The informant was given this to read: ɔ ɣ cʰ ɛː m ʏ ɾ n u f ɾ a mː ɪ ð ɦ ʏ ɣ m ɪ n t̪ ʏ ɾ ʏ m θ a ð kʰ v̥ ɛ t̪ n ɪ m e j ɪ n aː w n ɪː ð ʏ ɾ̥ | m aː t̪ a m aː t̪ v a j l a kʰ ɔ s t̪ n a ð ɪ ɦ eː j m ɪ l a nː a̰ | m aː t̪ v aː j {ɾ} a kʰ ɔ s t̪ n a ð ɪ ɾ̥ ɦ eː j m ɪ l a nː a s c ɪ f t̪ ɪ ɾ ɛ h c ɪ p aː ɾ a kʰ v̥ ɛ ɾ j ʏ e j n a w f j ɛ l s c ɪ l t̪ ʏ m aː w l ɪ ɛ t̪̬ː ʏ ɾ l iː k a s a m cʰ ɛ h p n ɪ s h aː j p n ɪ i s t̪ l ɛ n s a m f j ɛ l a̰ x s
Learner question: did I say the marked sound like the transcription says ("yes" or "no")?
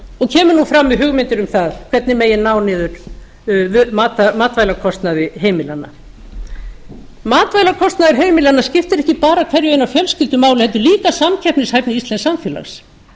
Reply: no